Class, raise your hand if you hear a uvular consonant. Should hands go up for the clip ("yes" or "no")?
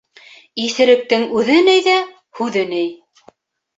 no